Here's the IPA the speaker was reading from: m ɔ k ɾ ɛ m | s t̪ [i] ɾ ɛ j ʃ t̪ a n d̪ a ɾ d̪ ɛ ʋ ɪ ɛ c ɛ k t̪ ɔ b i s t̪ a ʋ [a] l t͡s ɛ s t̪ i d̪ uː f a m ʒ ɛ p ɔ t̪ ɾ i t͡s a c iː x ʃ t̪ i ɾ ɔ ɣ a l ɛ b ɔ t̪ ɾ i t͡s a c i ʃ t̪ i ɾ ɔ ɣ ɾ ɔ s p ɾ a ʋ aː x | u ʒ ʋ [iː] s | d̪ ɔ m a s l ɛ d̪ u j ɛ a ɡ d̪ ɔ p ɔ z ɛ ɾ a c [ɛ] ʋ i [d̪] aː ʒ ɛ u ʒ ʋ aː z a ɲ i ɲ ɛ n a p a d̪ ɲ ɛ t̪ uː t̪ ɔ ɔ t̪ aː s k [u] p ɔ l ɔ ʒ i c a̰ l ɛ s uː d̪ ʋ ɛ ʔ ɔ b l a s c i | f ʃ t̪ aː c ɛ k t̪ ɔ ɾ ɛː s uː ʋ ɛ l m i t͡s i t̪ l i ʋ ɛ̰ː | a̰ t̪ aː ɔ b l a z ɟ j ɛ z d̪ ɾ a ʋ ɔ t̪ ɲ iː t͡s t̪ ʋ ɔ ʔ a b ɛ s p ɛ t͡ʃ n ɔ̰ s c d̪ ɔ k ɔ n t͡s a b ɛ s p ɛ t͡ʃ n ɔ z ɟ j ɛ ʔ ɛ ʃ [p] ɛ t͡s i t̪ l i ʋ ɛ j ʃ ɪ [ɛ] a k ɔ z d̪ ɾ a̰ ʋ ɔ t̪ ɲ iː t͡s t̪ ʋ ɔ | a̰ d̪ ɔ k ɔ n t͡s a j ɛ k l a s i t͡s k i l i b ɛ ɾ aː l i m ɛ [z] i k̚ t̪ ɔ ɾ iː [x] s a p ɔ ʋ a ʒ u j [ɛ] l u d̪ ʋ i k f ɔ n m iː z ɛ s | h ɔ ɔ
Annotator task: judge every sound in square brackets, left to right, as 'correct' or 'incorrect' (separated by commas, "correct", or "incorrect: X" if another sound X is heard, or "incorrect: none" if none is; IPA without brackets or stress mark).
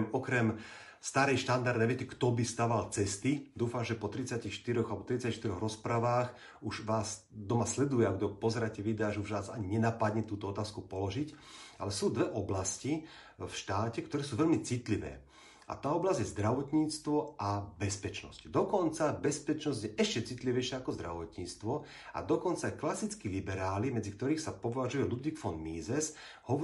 incorrect: a, correct, incorrect: aː, correct, correct, correct, incorrect: c, incorrect: a, incorrect: d͡z, correct, correct